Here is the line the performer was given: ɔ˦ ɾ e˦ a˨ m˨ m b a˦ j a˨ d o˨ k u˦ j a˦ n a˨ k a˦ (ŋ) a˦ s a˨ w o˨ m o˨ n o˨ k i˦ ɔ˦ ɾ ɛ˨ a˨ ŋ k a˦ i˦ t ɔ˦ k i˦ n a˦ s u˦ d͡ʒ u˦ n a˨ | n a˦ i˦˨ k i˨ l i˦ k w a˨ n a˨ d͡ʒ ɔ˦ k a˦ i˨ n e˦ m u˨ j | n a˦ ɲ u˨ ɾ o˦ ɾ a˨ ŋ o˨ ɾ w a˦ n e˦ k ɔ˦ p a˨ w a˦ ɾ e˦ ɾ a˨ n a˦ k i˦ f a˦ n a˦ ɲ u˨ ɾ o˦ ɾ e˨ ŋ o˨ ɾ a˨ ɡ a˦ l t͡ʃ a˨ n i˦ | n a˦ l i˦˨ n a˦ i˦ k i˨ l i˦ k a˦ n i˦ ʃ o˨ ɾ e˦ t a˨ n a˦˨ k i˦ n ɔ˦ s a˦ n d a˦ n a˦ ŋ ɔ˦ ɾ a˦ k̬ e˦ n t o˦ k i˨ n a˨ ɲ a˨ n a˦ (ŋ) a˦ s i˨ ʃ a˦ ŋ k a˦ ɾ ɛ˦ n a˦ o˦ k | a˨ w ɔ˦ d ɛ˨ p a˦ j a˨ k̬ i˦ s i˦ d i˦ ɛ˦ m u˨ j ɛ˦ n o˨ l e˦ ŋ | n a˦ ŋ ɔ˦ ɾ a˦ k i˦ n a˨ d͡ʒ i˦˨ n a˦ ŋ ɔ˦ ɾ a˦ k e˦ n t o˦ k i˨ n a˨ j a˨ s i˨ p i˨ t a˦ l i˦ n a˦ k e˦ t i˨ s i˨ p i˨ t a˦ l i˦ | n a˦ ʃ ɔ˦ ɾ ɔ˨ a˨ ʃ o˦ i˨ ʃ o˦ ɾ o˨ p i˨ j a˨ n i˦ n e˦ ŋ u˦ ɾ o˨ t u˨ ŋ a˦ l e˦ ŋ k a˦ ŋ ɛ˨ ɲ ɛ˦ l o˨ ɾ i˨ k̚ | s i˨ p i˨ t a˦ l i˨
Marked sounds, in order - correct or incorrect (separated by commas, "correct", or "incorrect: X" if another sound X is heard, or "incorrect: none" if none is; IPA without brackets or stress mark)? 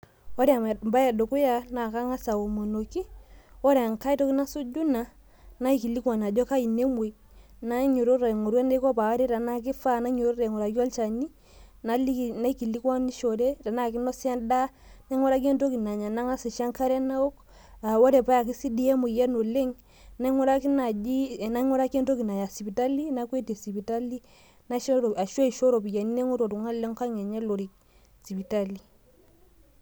correct, correct